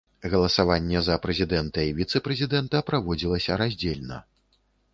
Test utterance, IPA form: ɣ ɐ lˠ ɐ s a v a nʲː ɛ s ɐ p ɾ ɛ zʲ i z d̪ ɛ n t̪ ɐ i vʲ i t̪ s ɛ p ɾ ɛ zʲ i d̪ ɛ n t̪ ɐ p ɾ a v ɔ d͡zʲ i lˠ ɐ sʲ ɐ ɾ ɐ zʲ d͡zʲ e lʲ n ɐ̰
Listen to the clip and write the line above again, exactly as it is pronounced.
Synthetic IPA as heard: ɣ ɐ lˠ ɐ s a v a nʲː ɛ z ɐ p ɾ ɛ zʲ i d̪ ɛ n t̪ ɐ i vʲ i t̪ s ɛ p ɾ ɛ zʲ i d̪ ɛ n t̪ ɐ p ɾ a v ɔ d͡zʲ i lˠ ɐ sʲ ɐ ɾ a zʲ d͡zʲ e lʲ n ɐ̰